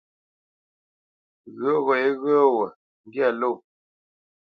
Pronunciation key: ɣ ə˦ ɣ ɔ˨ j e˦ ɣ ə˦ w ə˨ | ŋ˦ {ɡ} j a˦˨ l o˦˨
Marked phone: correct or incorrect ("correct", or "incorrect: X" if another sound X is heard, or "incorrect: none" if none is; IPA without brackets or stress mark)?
correct